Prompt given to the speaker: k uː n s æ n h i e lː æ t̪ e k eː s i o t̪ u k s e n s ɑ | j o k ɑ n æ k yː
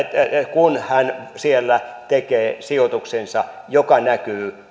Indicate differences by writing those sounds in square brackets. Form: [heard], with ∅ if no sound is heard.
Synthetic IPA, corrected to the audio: k [u] n [h] æ n [s] i e lː æ t̪ e k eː s i o t̪ u k s e n s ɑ | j o k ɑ n æ k yː